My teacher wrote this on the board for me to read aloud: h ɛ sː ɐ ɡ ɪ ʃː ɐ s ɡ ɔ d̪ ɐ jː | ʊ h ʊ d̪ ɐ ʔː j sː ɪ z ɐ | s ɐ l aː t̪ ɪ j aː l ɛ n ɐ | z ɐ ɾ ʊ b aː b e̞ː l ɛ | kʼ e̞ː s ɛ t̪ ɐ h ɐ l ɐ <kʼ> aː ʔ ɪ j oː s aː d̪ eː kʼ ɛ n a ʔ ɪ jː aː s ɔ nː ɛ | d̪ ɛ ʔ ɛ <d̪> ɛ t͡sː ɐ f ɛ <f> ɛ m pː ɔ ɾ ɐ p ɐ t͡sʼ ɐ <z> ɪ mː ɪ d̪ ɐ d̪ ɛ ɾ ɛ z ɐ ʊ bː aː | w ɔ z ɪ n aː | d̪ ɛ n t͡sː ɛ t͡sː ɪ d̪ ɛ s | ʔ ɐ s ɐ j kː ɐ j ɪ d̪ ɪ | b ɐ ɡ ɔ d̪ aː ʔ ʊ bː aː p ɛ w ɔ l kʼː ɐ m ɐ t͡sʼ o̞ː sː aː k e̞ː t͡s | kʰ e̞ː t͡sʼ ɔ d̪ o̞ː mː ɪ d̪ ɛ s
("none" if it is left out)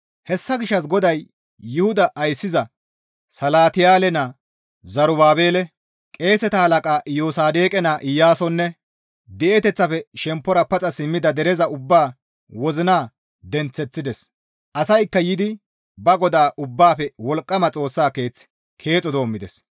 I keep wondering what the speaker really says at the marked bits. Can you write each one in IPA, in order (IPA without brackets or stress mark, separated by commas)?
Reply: kʼ, t̪, ʃ, s